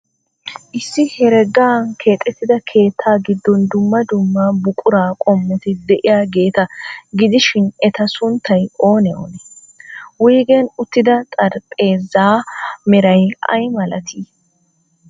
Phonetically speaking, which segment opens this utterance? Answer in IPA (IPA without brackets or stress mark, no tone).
ʔ